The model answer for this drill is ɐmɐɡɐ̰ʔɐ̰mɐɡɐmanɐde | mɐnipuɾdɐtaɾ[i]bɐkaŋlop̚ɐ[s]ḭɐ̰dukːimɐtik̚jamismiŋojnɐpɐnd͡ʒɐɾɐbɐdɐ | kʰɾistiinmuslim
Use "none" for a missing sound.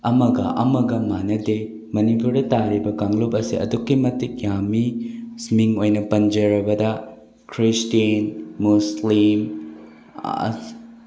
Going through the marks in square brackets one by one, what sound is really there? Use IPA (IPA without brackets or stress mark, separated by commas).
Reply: i, s